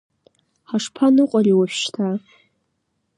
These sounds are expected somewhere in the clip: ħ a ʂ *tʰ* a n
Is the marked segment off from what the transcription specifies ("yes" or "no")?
yes